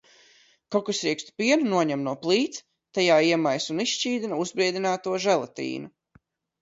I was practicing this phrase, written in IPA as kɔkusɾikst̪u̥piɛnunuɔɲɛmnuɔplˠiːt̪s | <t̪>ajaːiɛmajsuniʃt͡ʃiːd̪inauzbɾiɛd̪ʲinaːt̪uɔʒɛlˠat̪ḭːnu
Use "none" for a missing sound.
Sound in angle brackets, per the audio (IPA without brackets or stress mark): t̪